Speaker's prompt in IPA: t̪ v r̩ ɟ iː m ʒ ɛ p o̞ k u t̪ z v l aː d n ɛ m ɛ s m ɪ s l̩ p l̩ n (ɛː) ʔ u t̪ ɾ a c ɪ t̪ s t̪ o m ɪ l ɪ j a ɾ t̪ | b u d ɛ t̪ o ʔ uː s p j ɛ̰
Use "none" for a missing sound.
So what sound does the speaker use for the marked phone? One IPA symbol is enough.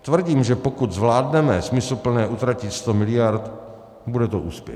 ɛː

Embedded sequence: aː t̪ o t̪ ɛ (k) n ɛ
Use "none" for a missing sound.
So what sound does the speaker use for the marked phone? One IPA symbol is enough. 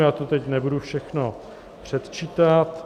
c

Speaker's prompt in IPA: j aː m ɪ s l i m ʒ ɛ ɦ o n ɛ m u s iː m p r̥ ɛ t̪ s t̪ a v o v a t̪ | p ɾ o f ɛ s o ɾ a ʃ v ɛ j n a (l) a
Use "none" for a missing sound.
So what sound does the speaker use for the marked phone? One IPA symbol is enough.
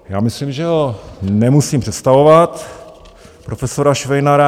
ɾ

